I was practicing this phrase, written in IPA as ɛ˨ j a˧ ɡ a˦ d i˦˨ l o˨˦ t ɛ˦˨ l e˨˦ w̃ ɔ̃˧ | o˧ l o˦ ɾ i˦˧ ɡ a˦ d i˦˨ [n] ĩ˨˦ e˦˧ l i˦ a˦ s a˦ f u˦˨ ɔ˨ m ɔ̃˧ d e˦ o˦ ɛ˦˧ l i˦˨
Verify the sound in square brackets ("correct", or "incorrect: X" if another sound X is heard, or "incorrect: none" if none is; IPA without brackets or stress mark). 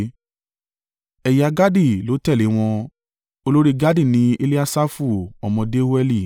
correct